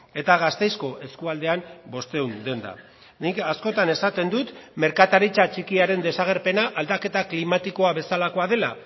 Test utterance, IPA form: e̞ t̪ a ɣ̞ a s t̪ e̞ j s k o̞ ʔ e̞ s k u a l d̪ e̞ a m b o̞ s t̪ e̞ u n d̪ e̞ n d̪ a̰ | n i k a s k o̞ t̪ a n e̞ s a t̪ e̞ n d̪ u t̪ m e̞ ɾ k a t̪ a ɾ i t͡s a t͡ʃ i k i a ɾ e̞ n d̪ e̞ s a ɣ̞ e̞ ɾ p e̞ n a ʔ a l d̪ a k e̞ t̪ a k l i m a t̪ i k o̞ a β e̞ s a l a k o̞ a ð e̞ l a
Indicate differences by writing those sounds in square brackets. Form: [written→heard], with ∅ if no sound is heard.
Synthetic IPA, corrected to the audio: e̞ t̪ a ɣ̞ a s t̪ e̞ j s k o̞ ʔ e̞ s k u a l d̪ e̞ a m b o̞ s t̪ e̞ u n d̪ e̞ n d̪ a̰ | n i k a s k o̞ t̪ a n e̞ s a t̪ e̞ n d̪ u t̪ m e̞ ɾ k a t̪ a ɾ i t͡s a t͡ʃ i k i a ɾ e̞ n d̪ e̞ s a ɣ̞ e̞ ɾ p e̞ n a ʔ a l d̪ a k e̞ t̪ a k l i m a t̪ i k o̞ a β e̞ s a l a k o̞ a ð e̞ l a